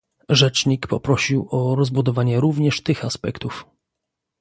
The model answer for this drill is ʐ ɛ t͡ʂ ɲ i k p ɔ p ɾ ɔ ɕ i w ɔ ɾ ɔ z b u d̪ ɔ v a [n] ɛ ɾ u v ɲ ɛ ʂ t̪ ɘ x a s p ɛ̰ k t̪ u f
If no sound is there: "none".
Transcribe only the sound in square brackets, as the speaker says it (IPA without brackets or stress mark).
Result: ɲ